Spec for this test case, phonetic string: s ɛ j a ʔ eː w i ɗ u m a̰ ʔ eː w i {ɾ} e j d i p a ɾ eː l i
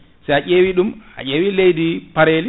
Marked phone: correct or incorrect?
incorrect